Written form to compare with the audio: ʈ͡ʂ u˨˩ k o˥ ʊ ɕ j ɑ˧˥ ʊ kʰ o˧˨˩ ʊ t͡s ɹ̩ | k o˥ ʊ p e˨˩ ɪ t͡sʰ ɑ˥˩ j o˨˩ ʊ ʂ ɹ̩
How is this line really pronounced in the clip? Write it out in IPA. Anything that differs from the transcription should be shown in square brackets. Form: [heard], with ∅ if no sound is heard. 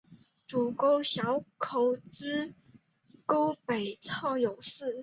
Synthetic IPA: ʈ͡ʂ u˨˩ k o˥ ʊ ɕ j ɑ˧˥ ʊ kʰ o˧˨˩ ʊ t͡s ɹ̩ | k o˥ ʊ p e˨˩ ɪ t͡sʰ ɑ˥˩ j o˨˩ ʊ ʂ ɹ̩